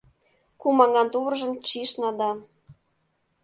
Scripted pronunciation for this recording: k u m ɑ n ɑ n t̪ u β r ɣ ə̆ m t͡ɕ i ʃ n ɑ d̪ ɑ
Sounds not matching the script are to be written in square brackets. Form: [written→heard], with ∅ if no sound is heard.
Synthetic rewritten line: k u m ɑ [n→ŋ] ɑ n t̪ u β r [ɣ→ʒ] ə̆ m t͡ɕ i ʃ n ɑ d̪ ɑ